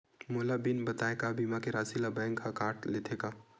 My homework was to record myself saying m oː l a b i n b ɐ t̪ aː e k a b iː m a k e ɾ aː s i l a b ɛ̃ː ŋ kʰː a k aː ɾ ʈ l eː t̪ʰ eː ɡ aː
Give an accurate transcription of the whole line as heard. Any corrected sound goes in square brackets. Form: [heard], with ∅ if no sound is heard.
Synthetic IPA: m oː l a b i n b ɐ t̪ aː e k a b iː m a k e ɾ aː s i l a b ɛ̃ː ŋ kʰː a k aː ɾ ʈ l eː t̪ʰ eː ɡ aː